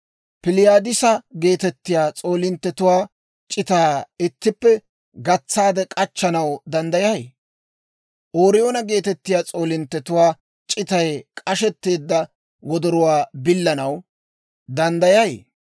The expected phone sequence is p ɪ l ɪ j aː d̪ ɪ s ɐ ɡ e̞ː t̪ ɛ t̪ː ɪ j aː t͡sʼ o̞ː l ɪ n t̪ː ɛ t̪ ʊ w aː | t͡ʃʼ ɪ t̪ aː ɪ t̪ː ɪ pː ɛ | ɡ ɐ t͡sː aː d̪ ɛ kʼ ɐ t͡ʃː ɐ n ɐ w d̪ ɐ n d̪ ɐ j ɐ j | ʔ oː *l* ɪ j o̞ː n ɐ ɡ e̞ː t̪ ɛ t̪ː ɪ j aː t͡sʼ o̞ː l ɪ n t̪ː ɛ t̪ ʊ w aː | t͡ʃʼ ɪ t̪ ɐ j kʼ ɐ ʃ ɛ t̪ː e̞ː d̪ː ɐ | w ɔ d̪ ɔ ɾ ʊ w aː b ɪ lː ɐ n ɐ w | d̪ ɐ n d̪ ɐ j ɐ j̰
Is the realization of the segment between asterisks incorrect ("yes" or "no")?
yes